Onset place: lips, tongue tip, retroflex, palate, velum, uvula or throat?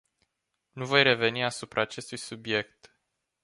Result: tongue tip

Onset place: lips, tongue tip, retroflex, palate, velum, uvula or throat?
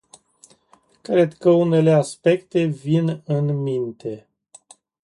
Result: velum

